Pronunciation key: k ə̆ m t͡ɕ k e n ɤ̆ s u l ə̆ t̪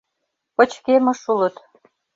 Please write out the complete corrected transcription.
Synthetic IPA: p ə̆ t͡ɕ k e m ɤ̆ ʃ u l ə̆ t̪